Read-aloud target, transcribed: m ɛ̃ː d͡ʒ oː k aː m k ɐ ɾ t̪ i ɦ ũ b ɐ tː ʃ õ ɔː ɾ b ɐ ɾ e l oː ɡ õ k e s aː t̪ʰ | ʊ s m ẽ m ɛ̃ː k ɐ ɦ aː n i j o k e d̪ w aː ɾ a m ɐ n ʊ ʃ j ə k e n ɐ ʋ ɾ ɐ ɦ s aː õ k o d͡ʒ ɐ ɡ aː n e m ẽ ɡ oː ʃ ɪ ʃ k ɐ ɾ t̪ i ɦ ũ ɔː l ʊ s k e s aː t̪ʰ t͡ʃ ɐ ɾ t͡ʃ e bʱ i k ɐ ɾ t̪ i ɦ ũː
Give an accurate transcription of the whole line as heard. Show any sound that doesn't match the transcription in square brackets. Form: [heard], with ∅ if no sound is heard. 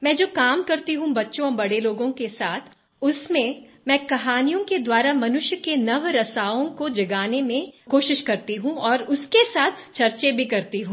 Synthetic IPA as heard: m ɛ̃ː d͡ʒ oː k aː m k ɐ ɾ t̪ i ɦ ũ b ɐ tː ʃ õ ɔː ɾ b ɐ [ɽ] e l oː ɡ õ k e s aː t̪ʰ | ʊ s m ẽ m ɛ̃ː k ɐ ɦ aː n i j [õ] k e d̪ w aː ɾ a m ɐ n ʊ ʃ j ə k e n ɐ ʋ ɾ ɐ [∅] s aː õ k o d͡ʒ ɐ ɡ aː n e m ẽ [k] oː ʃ ɪ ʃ k ɐ ɾ t̪ i ɦ ũ ɔː [ɾ] ʊ s k e s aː t̪ʰ t͡ʃ ɐ ɾ t͡ʃ e bʱ i k ɐ ɾ t̪ i ɦ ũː